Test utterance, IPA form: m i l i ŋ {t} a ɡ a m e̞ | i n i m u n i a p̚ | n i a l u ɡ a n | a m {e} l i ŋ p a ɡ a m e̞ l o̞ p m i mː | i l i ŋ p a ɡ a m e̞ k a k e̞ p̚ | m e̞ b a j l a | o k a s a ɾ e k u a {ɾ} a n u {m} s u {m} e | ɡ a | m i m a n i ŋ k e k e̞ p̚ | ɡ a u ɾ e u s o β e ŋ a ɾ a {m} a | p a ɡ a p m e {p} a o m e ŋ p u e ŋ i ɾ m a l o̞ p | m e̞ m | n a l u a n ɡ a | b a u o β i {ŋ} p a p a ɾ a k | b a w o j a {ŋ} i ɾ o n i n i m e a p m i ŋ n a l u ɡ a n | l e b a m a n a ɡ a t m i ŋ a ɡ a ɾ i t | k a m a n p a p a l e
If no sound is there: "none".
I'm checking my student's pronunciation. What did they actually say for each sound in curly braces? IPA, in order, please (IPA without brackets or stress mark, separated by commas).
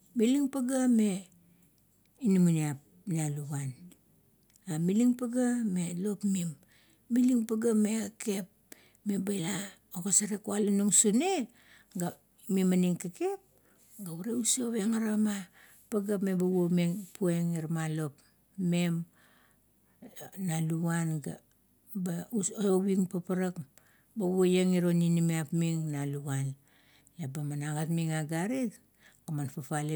p, i, l, ŋ, n, m, b, ŋ, ŋ